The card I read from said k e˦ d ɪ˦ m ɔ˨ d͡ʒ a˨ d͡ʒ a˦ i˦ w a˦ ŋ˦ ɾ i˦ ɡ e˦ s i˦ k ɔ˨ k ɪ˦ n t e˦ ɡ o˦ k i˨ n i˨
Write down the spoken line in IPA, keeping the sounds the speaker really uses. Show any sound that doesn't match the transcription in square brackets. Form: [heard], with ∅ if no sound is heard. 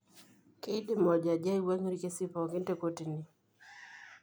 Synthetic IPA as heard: k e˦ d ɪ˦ m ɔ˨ d͡ʒ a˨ d͡ʒ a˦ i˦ w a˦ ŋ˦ ɾ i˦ [k] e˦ s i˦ [p] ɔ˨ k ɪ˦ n t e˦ [k] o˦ [t] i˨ n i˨